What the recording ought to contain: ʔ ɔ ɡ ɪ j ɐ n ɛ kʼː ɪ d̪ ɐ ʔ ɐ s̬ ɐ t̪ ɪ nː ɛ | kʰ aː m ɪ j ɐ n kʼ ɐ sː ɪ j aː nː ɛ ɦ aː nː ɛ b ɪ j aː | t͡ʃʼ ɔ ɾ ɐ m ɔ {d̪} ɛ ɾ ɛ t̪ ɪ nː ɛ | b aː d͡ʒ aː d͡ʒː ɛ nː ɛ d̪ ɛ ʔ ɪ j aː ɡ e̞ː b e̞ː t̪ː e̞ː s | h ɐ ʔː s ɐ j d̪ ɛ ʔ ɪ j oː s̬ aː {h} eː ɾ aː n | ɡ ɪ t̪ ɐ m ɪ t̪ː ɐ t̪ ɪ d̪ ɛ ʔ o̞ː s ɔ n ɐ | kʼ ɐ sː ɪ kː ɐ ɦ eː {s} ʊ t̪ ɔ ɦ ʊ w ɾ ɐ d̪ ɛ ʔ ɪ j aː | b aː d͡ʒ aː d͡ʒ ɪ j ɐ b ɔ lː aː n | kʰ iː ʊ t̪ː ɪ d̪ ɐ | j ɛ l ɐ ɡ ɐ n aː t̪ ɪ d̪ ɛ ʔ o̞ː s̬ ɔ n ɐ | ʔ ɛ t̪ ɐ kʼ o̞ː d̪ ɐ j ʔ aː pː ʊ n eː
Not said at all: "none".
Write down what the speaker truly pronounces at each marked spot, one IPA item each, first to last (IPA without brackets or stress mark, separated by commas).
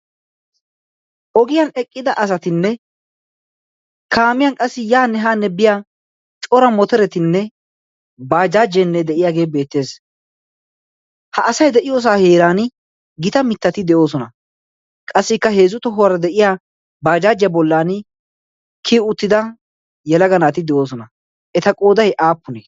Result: t̪, h, z